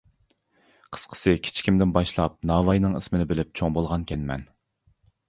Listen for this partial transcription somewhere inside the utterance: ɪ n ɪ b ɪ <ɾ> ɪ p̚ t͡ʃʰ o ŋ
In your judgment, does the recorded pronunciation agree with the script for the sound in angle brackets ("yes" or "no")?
no